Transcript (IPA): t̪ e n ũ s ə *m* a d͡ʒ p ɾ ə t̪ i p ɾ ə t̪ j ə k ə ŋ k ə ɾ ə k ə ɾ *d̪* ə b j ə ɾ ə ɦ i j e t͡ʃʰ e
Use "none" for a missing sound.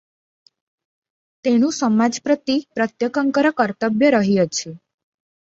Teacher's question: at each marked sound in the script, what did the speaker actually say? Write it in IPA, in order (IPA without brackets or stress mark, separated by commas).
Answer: m, t̪